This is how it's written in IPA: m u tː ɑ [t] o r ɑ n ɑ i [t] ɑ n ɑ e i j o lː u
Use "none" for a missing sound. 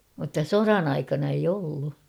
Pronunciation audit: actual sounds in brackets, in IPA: s, k

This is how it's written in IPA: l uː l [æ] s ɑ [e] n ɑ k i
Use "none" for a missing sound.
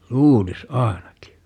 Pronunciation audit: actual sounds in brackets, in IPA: i, e

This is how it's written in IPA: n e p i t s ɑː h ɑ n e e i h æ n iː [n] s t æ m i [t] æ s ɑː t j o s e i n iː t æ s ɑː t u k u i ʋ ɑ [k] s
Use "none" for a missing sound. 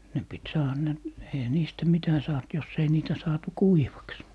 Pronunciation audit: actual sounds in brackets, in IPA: none, t, k

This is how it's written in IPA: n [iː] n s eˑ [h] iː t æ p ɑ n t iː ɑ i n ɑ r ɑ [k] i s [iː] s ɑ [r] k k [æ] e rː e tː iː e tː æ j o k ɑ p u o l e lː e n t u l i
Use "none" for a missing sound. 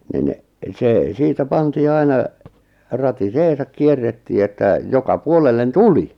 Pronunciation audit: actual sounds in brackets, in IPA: i, s, t, eː, none, i

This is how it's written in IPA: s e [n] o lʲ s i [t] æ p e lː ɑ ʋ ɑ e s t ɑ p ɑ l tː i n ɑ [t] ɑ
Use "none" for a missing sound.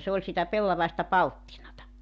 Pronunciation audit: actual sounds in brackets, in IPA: none, t, t

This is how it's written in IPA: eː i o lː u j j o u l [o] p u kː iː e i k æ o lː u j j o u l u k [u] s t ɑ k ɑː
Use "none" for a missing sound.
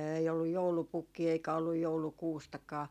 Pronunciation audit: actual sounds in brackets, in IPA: u, uː

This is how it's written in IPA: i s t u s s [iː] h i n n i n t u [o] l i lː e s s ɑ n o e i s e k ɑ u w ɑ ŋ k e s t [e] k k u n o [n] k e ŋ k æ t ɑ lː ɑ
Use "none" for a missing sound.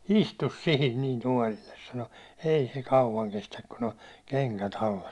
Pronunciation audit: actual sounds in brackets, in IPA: i, ɒ, æ, n

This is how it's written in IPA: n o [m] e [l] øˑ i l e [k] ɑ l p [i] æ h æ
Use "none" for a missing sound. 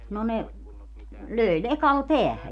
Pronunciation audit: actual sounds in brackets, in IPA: n, l, k, e

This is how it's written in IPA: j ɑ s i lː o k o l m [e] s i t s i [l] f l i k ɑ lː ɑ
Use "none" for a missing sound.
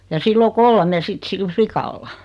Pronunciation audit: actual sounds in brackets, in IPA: e, l

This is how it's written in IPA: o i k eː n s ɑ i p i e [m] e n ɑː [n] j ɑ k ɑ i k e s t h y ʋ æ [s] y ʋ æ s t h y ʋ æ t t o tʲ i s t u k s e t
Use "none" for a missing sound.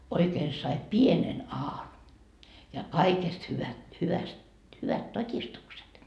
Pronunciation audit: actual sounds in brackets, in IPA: n, n, h

